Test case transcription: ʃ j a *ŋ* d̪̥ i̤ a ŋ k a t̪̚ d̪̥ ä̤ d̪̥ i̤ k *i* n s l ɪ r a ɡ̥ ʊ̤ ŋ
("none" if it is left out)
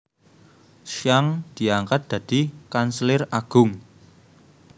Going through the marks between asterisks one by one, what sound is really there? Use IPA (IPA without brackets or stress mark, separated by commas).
ŋ, a